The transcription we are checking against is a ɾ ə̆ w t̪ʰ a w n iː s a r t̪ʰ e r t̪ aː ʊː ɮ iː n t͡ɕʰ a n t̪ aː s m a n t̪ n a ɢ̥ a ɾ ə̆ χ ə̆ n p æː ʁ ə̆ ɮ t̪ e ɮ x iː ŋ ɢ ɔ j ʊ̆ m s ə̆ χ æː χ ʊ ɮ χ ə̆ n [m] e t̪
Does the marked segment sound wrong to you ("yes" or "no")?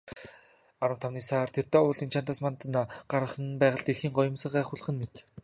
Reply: no